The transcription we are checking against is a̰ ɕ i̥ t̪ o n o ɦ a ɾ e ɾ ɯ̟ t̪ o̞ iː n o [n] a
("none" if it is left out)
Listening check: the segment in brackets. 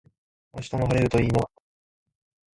none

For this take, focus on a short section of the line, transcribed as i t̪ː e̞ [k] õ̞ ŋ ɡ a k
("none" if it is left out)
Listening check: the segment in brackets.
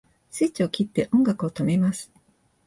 ʔ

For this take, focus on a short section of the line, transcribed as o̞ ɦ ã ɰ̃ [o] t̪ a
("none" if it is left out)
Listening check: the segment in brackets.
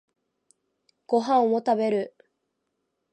o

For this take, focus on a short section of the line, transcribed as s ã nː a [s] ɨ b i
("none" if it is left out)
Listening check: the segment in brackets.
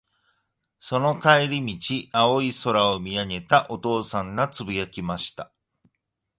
t͡s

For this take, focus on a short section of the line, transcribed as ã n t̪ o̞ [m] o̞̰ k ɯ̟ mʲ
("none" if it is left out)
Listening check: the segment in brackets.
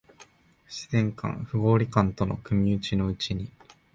n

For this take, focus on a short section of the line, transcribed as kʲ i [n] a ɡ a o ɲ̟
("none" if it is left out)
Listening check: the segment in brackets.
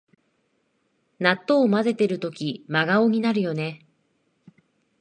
m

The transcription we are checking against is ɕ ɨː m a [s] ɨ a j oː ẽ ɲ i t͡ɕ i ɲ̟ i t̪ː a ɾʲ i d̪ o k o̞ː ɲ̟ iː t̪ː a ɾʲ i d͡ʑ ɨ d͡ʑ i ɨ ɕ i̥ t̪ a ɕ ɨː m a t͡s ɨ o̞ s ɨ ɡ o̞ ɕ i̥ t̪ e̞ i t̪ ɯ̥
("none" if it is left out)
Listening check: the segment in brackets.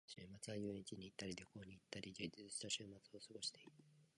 t͡s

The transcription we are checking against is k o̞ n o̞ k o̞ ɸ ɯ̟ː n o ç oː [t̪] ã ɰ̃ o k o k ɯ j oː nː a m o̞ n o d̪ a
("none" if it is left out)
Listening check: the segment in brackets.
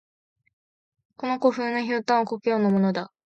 t̪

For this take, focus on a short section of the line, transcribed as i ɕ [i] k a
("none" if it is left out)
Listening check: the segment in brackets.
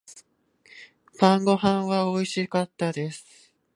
i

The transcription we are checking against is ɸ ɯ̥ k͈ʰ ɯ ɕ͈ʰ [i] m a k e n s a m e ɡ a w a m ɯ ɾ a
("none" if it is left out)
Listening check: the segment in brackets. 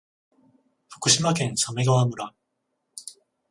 i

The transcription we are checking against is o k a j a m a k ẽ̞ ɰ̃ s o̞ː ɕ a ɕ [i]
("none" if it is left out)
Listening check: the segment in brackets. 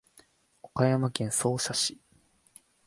i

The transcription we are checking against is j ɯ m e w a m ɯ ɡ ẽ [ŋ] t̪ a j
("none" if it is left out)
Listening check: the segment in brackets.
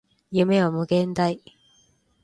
n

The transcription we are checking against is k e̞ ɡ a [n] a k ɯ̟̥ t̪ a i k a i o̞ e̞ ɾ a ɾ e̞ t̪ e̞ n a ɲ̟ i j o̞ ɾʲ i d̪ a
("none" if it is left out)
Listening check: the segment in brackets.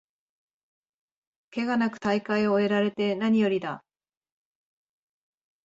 n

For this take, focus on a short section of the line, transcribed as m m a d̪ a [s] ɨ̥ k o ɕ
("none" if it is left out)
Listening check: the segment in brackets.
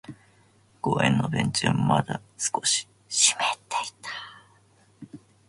s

